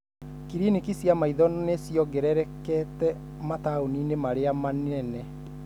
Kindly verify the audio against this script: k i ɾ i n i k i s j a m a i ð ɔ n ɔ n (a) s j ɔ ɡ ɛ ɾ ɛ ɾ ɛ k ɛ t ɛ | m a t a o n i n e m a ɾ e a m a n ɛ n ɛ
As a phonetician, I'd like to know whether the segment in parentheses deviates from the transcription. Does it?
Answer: yes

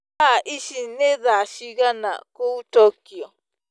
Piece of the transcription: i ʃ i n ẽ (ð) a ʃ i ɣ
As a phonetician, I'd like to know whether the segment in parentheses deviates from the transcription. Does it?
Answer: no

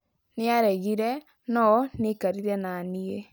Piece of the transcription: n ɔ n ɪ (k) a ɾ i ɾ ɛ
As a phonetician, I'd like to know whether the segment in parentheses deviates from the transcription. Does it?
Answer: no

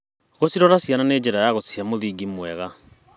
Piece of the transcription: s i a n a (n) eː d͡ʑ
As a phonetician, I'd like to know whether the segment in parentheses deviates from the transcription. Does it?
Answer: no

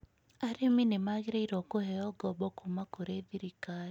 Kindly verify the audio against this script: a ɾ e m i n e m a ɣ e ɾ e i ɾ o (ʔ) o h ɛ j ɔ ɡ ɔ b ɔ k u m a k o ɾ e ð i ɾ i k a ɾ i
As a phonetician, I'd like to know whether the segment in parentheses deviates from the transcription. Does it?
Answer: yes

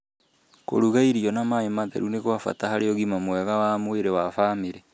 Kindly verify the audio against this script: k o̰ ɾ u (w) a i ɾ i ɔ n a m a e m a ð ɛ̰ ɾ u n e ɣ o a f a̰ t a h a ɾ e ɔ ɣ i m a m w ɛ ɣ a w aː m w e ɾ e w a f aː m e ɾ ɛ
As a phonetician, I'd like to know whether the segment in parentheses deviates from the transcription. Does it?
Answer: yes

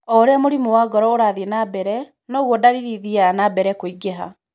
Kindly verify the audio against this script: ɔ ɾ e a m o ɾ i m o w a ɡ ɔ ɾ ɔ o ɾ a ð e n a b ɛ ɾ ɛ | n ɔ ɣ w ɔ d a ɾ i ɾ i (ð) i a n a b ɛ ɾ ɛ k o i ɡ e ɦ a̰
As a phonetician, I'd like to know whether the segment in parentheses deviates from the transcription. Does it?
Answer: no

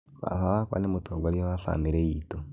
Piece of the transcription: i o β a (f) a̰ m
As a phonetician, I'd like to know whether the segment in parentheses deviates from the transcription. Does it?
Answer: no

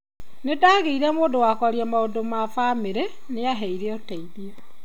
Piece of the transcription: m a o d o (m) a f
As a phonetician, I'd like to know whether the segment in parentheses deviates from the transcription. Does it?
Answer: no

